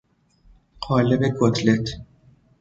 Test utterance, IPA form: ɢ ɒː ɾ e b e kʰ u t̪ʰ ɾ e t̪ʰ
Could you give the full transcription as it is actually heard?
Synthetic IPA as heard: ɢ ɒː l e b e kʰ o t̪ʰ l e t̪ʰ